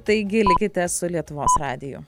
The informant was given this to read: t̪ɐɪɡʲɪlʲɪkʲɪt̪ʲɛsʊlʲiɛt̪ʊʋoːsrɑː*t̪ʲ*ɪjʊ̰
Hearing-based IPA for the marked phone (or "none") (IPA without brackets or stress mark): d̪ʲ